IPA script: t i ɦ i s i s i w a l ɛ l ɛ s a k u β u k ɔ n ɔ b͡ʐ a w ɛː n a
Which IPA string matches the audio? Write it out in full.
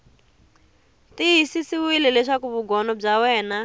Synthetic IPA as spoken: t i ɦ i s i s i w i l ɛ l ɛ ʂ a k u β u ɡ ɔ n ɔ b͡ʐ a w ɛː n a